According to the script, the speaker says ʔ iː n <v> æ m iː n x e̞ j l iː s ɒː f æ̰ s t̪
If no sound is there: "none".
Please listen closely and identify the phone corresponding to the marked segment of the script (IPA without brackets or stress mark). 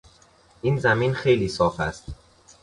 z